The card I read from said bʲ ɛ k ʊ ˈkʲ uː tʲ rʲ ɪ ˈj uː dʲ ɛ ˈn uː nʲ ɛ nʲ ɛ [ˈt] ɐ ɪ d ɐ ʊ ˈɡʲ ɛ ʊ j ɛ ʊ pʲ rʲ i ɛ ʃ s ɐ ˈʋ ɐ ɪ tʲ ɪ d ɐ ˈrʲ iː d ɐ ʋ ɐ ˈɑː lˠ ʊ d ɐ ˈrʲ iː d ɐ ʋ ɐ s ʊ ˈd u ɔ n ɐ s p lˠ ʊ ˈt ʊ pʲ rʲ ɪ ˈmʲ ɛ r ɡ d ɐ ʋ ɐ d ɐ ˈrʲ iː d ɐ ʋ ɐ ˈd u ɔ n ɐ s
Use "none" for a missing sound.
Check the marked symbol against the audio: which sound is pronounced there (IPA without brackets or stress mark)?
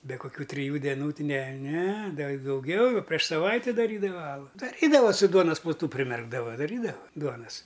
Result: d